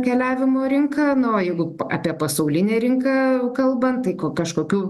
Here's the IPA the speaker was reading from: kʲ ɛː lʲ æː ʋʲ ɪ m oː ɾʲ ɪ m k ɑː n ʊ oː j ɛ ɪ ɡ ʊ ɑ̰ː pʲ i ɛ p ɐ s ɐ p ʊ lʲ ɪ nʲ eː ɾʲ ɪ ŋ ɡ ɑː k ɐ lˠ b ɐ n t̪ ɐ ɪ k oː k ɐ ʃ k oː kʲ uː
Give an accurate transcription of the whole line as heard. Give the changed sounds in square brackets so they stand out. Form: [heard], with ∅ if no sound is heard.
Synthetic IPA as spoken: kʲ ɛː lʲ æː ʋʲ ɪ m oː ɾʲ ɪ [ŋ] k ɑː n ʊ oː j ɛ ɪ ɡ ʊ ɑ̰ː pʲ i ɛ p ɐ s ɐ [∅] ʊ lʲ ɪ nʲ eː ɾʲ ɪ ŋ [k] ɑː k ɐ lˠ b ɐ n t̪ ɐ ɪ k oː k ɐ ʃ k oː kʲ uː